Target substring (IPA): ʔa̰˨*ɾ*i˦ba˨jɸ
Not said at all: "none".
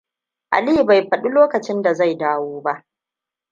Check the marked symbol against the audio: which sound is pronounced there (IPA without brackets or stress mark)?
l